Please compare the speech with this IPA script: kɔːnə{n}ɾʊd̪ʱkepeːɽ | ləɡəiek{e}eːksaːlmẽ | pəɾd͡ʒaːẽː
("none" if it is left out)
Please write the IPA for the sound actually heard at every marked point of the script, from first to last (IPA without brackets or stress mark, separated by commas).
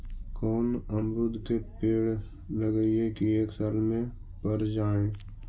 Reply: m, i